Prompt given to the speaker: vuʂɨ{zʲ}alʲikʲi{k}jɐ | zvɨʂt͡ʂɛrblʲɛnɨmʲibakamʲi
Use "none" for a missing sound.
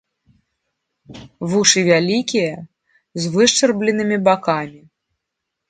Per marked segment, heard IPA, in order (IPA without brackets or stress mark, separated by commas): vʲ, none